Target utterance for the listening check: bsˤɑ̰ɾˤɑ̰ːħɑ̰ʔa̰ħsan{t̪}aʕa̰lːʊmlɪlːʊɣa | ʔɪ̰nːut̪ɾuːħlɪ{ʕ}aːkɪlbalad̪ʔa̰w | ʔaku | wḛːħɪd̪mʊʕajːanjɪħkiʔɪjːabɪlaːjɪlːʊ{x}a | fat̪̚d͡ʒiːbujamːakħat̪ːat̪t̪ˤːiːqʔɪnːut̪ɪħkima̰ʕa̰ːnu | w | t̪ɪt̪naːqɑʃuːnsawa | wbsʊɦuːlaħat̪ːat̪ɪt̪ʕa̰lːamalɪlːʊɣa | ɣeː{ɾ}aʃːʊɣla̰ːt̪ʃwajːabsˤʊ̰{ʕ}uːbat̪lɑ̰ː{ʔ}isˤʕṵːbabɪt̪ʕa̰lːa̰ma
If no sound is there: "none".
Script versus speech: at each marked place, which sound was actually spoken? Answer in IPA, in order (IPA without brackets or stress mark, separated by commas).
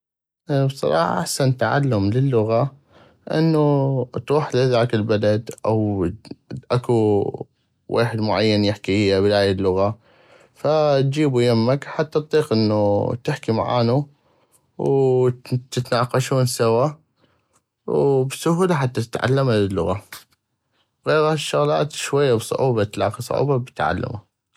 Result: t̪, ð, ɣ, ɾ, ʕ, q